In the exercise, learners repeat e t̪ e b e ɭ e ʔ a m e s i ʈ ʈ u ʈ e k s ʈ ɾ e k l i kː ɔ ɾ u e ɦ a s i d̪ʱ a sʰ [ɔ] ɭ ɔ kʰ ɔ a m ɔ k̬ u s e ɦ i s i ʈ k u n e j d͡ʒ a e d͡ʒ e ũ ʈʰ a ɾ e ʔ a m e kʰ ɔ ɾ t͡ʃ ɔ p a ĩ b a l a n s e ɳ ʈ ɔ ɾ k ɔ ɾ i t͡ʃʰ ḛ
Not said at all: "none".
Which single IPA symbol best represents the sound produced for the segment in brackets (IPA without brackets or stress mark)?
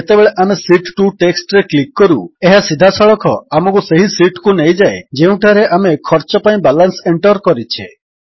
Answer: ɔ